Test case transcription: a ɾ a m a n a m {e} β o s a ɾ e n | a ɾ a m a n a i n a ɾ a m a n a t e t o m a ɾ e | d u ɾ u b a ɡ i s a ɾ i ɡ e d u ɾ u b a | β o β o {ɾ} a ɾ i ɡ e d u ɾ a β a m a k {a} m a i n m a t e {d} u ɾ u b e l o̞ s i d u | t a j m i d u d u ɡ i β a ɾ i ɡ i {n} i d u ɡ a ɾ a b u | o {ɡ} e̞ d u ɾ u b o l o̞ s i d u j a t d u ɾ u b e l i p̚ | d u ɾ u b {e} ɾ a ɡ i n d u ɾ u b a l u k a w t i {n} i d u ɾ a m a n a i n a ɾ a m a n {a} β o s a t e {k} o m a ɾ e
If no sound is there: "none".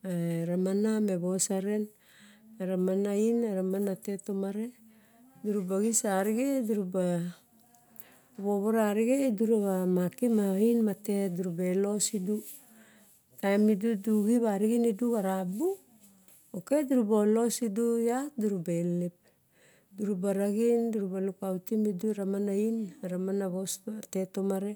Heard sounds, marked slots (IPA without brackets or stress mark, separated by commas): e, ɾ, i, d, n, k, a, m, a, t